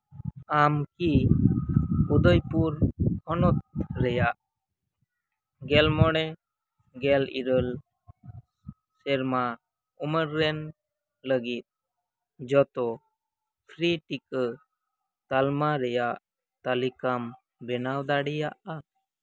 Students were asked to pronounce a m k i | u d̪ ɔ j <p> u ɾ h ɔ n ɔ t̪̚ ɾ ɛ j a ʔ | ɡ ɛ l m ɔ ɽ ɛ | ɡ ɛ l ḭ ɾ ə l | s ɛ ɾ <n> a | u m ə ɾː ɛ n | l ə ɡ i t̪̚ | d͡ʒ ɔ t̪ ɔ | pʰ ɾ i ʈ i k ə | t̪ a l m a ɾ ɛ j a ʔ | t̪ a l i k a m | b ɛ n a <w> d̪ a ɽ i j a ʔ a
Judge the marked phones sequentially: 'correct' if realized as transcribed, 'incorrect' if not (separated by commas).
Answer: correct, incorrect, correct